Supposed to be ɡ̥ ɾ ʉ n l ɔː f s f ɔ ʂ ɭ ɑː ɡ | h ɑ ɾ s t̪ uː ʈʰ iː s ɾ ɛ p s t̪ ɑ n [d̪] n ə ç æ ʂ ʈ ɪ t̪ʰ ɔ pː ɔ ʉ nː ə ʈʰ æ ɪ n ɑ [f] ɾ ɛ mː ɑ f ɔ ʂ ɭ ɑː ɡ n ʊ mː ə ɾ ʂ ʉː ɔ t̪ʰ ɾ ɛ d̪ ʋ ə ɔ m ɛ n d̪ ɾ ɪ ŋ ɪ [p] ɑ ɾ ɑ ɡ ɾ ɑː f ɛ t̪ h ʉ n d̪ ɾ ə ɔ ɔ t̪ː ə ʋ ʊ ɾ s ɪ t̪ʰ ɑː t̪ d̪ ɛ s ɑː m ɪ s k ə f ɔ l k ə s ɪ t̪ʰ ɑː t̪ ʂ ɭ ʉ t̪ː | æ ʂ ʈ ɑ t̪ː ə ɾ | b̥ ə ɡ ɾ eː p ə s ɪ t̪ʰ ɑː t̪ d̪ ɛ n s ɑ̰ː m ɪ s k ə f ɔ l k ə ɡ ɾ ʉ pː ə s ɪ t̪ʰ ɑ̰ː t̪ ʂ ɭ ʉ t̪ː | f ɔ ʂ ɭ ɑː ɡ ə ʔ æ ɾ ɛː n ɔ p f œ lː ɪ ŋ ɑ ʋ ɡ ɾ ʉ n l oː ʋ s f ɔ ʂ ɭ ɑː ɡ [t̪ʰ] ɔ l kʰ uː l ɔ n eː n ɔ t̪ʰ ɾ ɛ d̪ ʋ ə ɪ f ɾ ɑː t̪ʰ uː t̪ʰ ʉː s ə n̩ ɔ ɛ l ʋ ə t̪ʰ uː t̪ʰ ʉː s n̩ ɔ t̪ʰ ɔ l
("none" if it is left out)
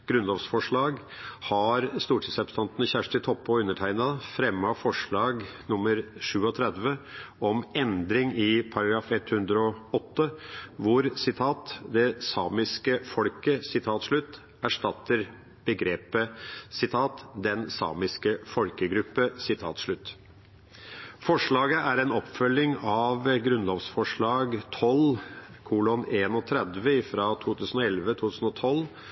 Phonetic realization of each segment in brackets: t̪, f, pʰ, t̪ʰ

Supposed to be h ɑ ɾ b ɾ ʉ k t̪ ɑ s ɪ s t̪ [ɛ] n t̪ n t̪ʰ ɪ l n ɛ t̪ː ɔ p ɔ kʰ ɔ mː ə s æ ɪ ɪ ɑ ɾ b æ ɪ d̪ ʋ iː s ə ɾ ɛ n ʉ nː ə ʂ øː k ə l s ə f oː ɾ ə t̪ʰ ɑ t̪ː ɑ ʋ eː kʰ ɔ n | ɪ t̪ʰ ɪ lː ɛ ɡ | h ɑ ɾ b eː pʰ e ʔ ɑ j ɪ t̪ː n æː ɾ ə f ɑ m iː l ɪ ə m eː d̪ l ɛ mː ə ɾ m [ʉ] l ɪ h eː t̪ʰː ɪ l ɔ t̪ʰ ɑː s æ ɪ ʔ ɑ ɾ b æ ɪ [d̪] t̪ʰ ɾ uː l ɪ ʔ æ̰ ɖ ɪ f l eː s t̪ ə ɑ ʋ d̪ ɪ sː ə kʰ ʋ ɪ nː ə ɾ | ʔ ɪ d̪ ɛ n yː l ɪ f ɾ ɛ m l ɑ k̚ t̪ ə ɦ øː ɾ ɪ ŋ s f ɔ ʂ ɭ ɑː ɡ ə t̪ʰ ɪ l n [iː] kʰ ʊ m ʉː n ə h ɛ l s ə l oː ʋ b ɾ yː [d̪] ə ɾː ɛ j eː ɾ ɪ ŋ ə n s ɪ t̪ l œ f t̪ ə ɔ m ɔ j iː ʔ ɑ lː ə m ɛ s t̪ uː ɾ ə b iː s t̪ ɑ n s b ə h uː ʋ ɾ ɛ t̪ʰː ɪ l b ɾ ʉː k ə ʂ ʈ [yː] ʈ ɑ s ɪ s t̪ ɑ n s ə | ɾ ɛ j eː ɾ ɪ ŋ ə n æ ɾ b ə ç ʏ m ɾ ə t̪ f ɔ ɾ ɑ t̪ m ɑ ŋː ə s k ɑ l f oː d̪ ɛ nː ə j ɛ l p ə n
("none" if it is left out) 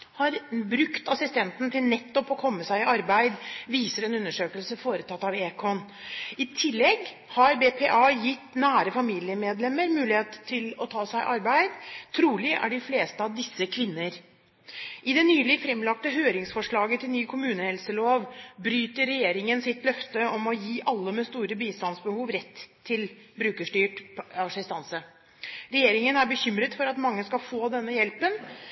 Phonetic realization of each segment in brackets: ɛ, ʉː, d̪, yː, t̪, yː

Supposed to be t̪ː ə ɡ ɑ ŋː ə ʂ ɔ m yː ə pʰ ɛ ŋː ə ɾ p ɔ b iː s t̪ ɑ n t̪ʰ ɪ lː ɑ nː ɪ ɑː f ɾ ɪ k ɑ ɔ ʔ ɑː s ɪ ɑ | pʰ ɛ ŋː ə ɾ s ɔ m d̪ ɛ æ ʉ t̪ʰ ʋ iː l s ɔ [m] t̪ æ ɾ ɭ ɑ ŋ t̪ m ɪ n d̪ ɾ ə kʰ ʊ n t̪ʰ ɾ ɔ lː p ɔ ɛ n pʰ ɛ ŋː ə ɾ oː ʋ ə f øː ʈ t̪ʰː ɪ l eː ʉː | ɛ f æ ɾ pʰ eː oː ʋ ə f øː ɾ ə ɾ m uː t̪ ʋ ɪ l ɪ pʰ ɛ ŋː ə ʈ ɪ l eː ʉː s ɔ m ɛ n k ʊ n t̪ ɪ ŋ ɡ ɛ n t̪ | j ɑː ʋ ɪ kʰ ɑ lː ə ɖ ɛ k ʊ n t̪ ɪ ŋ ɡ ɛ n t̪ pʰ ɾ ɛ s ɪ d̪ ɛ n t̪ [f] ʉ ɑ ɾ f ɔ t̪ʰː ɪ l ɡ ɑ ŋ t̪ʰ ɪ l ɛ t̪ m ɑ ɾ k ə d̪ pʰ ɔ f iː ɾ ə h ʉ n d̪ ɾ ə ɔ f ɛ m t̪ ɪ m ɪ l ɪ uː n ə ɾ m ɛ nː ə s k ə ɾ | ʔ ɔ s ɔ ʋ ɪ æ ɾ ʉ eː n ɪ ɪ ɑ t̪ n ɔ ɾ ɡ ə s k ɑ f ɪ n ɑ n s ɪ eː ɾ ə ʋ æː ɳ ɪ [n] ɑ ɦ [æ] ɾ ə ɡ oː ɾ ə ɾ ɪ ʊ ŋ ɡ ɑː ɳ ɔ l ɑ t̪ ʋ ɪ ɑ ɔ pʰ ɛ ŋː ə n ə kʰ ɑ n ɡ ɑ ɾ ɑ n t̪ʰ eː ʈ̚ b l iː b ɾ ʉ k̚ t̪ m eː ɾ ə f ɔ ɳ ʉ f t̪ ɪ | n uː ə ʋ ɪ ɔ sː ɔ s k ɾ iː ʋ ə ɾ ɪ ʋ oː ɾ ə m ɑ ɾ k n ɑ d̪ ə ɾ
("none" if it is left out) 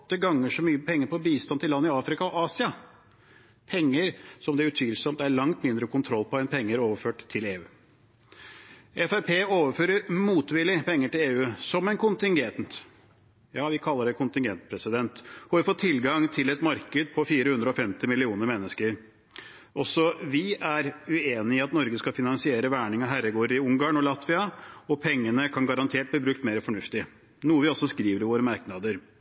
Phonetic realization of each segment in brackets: m, h, ŋ, æ

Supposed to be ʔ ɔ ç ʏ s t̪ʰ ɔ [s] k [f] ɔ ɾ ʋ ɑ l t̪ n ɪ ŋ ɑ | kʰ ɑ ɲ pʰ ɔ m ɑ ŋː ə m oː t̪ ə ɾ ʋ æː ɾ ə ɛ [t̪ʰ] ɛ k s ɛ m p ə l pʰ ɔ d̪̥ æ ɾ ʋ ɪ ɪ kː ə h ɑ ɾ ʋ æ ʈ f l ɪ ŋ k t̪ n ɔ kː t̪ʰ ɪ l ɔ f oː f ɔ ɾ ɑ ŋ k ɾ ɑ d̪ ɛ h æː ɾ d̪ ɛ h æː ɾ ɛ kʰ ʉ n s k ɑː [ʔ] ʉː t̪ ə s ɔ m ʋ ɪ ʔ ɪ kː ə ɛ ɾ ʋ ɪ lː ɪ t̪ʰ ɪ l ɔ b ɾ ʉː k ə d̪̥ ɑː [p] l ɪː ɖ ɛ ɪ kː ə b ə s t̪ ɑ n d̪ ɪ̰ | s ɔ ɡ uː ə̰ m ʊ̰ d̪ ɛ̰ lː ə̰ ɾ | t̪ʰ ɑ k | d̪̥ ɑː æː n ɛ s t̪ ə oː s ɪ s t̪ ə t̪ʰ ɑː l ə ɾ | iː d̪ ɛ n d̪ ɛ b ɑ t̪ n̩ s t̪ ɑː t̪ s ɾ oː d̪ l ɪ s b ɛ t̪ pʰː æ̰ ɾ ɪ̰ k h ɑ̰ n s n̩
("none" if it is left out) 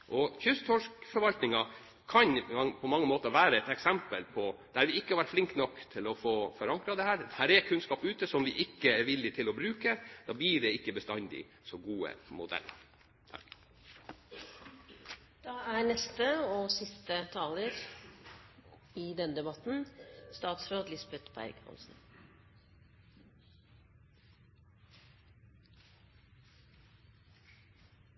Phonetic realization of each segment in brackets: ʂ, f, t̪, p, b

